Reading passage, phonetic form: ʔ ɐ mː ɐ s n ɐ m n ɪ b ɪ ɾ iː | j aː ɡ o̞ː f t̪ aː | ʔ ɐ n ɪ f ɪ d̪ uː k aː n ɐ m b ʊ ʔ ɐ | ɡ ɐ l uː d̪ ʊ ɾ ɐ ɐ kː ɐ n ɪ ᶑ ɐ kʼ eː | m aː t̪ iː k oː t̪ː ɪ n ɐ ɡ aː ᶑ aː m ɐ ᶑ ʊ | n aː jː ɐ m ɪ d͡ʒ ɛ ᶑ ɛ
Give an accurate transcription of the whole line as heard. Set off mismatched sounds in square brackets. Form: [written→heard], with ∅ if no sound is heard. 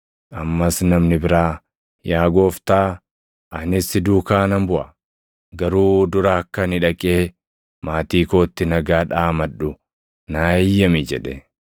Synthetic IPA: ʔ ɐ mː ɐ s n ɐ m n ɪ b ɪ ɾ [iː→aː] | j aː ɡ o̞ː f t̪ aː | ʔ ɐ n ɪ [f→s] ɪ d̪ uː k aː n ɐ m b ʊ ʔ ɐ | ɡ ɐ [l→ɾ] uː d̪ ʊ ɾ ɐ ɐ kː ɐ n ɪ ᶑ ɐ kʼ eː | m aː t̪ iː k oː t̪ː ɪ n ɐ ɡ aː ᶑ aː m ɐ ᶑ ʊ | n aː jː ɐ m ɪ d͡ʒ ɛ ᶑ ɛ